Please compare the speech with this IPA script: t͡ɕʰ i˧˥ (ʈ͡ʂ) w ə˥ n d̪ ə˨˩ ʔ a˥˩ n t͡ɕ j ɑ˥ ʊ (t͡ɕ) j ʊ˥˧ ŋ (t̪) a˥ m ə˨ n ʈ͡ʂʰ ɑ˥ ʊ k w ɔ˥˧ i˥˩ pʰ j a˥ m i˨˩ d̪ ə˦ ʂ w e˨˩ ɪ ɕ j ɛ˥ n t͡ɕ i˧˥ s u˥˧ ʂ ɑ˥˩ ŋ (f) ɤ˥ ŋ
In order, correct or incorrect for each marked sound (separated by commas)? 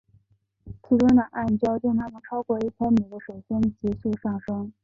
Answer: correct, correct, incorrect, incorrect